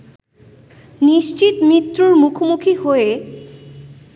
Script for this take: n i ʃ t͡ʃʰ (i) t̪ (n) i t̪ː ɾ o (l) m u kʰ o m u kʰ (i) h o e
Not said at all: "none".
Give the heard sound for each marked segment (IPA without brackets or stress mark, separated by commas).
i, m, ɾ, i